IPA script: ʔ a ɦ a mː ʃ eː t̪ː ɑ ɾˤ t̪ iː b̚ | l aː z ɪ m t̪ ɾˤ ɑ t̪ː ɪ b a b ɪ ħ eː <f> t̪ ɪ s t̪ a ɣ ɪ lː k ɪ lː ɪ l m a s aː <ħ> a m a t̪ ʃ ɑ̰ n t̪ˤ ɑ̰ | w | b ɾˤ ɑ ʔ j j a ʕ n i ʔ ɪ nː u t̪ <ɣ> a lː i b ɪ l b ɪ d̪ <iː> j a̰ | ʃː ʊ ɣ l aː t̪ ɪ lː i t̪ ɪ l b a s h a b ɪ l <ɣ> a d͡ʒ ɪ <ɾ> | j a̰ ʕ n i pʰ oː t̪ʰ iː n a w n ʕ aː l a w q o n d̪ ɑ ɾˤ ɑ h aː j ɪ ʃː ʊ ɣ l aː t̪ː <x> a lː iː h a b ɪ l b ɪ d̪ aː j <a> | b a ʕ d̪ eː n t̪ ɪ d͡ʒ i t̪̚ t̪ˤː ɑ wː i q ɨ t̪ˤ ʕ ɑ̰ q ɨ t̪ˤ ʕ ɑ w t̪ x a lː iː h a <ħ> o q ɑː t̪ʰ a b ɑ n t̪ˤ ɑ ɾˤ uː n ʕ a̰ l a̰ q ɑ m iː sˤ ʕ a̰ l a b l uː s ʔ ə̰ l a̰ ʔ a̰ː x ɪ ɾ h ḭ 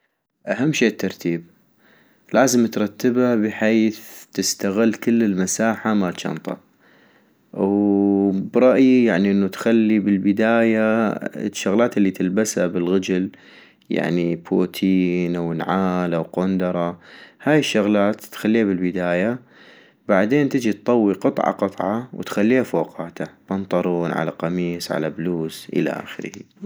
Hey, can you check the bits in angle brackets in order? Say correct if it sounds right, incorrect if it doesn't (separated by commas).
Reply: incorrect, correct, incorrect, incorrect, correct, incorrect, correct, correct, incorrect